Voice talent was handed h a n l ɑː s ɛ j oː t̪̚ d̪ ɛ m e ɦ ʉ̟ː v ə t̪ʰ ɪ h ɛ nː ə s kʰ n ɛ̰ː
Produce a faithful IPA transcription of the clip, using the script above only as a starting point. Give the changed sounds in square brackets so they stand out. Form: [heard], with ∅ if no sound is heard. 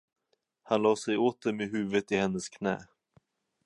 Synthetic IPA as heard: h a n l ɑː s ɛ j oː t̪̚ d̪ ɛ m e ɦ ʉ̟ː v ə [t̪] ɪ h ɛ nː ə s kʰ n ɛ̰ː

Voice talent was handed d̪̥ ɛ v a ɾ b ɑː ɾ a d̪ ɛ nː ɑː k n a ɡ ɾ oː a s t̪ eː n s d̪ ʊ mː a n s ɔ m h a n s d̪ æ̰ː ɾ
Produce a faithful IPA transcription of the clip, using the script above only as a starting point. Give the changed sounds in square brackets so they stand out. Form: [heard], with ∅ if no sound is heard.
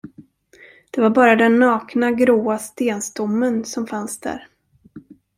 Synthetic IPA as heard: d̪̥ ɛ v a ɾ b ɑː ɾ a d̪ ɛ nː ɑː k n a ɡ ɾ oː a s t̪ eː n s [t̪] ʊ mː [ə] n s ɔ m [f] a n s d̪ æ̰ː ɾ

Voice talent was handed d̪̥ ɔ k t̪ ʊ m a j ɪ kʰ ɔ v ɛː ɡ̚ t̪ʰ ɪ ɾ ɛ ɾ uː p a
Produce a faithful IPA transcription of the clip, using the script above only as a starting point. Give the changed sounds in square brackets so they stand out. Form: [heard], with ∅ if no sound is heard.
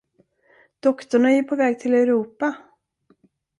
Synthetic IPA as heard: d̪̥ ɔ k t̪ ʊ [ɳ] a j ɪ [pʰ] ɔ v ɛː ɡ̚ t̪ʰ ɪ [l] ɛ ɾ uː p a

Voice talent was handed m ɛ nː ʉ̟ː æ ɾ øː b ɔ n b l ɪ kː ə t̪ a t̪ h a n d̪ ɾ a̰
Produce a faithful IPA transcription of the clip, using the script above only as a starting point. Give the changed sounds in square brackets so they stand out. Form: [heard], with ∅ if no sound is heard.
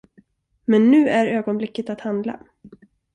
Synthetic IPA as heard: m ɛ nː ʉ̟ː æ ɾ øː [ɡ] ɔ n b l ɪ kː ə t̪ a t̪ h a n d̪ [l] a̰

